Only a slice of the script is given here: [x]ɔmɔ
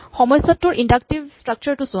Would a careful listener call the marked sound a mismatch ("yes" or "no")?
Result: no